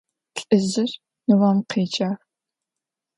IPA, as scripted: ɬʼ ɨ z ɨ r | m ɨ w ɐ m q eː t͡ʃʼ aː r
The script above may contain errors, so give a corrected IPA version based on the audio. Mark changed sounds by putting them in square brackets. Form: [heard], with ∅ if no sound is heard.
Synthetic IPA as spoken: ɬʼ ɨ z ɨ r | [n] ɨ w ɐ m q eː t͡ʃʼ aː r